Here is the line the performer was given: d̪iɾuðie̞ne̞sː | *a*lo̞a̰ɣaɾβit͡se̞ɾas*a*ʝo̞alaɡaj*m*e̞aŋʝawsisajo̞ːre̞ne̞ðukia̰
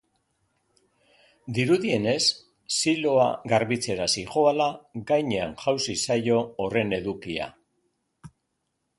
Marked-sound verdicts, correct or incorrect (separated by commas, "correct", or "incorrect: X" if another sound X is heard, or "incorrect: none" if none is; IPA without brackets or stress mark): incorrect: i, incorrect: i, incorrect: ɲ